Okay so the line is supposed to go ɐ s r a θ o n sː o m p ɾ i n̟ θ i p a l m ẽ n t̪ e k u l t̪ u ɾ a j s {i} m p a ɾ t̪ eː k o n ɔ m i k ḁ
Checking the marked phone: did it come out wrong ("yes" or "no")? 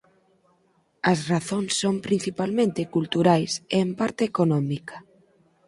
yes